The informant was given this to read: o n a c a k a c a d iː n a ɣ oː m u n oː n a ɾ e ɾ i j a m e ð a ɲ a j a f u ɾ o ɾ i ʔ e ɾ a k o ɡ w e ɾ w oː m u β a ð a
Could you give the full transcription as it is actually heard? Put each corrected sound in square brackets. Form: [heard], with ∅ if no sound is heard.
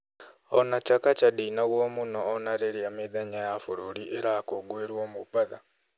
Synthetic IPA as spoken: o n a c a k a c a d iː n a ɣ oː m u n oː n a ɾ e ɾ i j a m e ð a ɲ a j a f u ɾ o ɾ i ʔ e ɾ a k o ɡ w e ɾ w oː m u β a ð a